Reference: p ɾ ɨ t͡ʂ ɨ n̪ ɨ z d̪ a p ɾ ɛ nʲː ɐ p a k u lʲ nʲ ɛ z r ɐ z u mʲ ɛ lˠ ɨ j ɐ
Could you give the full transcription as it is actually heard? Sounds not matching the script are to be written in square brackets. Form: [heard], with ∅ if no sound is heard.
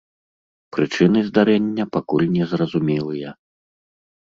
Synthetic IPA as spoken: p ɾ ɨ t͡ʂ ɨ n̪ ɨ z d̪ a [∅] ɾ ɛ nʲː ɐ p a k u lʲ nʲ ɛ z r ɐ z u mʲ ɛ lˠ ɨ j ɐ